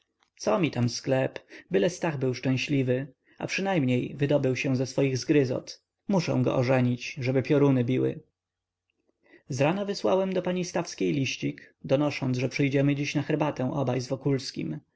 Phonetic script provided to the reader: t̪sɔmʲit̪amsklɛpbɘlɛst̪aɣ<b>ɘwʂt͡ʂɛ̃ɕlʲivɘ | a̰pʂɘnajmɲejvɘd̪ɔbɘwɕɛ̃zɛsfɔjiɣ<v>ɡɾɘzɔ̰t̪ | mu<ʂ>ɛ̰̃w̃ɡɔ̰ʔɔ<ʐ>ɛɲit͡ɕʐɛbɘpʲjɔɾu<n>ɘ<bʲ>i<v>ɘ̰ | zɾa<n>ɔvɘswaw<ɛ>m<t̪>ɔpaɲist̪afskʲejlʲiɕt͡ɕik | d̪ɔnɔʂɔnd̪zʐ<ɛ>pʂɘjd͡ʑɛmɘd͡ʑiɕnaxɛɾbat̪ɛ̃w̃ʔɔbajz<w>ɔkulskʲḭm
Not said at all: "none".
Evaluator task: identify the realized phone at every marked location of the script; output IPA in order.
b, z, ʂ, ʐ, n, bʲ, w, n, ɛ, d̪, ɛ, v

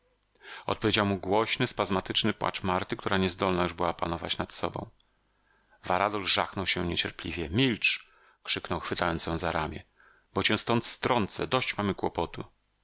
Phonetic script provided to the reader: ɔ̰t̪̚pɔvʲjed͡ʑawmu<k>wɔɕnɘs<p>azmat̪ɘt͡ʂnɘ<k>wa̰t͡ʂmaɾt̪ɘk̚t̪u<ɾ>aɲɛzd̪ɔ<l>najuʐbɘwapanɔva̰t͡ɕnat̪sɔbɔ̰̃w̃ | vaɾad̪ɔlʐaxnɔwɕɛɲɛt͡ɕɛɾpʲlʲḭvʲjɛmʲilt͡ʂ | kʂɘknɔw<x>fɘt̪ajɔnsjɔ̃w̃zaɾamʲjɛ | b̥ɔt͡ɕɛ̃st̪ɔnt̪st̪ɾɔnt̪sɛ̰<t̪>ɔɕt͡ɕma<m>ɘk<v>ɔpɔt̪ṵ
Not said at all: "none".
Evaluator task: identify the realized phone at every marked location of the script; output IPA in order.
ɡ, p, p, ɾ, l, x, d̪, m, w

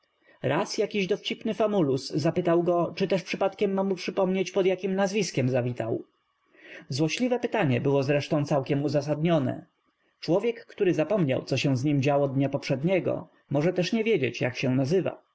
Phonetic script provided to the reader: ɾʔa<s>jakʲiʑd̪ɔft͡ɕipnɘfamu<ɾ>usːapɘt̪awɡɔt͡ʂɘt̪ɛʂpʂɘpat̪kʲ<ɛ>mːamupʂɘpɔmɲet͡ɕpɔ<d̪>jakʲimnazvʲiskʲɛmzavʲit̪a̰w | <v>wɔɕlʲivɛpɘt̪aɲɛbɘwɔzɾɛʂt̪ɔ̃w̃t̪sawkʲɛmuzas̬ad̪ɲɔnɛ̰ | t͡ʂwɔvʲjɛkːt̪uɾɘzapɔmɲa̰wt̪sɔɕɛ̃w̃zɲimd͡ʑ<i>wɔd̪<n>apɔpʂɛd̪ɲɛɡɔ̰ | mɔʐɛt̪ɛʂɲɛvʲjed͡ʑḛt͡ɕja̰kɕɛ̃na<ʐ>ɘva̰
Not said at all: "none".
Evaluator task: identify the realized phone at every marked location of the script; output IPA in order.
s, l, ɛ, d̪, z, a, ɲ, z

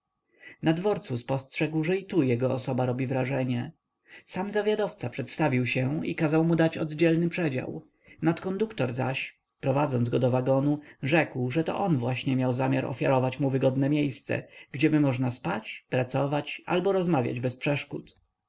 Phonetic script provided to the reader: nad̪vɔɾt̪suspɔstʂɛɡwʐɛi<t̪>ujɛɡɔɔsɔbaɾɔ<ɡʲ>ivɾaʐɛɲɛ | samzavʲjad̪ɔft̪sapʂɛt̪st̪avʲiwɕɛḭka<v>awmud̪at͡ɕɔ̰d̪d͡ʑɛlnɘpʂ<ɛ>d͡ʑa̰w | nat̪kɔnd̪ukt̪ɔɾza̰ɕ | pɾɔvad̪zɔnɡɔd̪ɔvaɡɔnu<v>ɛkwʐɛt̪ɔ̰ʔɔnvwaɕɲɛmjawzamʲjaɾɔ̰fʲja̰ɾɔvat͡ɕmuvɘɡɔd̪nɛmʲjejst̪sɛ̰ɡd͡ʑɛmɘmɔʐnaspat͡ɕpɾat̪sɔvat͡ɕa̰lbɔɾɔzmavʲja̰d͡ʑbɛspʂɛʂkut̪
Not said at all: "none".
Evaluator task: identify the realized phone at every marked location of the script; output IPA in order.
t̪, bʲ, z, ɛ, ʐ

